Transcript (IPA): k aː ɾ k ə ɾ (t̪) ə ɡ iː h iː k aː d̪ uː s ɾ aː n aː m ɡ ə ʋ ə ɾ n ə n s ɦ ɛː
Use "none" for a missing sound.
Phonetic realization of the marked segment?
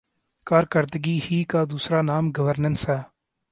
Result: d̪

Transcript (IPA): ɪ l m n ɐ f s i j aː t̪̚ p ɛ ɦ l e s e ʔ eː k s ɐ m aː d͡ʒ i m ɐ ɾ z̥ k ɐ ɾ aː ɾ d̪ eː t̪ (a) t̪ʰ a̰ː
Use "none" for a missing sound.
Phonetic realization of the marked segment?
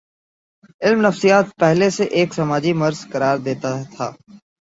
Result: a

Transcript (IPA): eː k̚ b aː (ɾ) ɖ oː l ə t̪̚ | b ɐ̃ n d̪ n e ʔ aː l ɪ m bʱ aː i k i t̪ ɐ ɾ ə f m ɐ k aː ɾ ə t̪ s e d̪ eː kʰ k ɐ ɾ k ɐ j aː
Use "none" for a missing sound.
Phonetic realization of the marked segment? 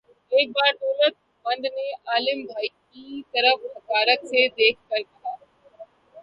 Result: ɾ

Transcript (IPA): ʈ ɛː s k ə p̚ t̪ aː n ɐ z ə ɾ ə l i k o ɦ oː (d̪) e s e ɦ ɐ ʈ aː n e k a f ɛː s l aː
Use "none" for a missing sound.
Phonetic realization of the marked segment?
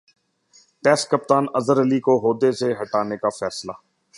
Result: d̪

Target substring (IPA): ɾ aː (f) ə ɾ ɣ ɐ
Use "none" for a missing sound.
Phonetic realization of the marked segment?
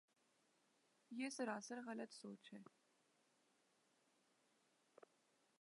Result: s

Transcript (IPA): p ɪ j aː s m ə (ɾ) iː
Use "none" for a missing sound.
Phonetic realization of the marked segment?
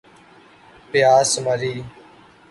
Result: ɾ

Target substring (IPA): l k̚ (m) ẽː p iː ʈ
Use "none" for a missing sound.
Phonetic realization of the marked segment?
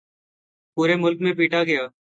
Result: m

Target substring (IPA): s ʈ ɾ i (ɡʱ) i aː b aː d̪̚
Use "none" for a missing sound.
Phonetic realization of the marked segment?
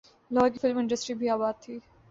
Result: bʱ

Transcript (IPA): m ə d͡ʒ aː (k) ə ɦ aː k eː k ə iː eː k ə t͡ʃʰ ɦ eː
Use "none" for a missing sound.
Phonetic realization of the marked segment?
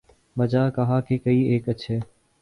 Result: k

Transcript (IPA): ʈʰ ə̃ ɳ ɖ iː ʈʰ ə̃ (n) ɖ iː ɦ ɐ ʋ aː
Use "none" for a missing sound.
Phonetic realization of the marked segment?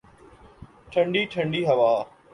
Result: ɳ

